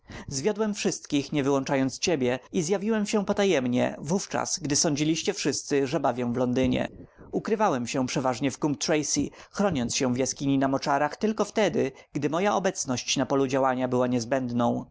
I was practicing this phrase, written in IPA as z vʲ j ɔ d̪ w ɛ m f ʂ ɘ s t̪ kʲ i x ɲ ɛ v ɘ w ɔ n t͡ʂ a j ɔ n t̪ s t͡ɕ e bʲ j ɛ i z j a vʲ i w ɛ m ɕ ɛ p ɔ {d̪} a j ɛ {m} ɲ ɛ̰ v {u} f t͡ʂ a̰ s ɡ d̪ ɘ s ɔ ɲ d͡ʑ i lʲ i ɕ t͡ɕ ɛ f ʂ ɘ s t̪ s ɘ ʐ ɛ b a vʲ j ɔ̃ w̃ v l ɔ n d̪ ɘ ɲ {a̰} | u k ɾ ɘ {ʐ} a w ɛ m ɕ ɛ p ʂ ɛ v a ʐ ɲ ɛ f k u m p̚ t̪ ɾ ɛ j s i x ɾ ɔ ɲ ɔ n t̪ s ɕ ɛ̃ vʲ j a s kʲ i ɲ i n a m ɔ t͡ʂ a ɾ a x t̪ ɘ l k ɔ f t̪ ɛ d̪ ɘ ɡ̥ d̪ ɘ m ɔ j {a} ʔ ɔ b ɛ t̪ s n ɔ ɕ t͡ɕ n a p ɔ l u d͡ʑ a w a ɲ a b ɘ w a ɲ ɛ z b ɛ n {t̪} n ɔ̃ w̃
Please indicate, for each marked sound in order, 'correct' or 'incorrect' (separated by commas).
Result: incorrect, correct, correct, incorrect, incorrect, correct, incorrect